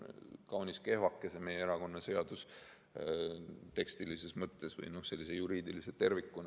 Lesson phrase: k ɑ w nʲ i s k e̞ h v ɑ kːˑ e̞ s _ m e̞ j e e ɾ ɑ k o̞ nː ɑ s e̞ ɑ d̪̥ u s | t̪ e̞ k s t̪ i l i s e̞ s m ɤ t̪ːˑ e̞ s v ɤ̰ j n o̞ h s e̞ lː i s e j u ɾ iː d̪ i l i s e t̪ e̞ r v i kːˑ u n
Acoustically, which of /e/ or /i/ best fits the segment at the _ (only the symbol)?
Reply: e